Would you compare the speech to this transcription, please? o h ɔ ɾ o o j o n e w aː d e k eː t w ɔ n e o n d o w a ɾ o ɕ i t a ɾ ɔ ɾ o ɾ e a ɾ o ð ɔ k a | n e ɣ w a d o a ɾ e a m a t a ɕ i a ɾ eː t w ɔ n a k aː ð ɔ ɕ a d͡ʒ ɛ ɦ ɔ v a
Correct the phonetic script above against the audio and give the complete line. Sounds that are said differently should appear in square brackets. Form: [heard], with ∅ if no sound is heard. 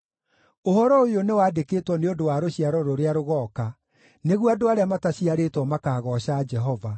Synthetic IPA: o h ɔ ɾ [ɔ] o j o n e w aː d e k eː t w ɔ n e o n d o w a ɾ o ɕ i [∅] a ɾ ɔ ɾ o ɾ e a ɾ o [ɣ] ɔ k a | n e ɣ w a d o a ɾ e a m a t a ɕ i a ɾ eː t w ɔ [m] a k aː [ɣ] ɔ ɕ a d͡ʒ ɛ ɦ ɔ v a